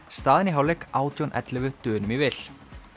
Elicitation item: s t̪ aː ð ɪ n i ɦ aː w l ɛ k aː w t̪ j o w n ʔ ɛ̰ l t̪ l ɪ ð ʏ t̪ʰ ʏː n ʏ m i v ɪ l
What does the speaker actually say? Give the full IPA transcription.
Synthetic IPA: s t̪ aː ð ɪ n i ɦ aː w l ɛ k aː w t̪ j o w n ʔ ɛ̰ t̪ l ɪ v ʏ t̪ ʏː n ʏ m i v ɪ l

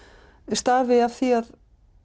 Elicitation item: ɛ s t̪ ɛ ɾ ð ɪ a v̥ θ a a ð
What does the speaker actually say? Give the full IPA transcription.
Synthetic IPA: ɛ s t̪ a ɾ v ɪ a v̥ θ i a ð

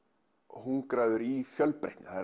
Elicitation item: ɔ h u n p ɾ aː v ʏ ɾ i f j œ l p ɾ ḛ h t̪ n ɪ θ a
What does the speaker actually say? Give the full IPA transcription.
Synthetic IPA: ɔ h u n k ɾ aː ð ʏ ɾ i f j œ l p ɾ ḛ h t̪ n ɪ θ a

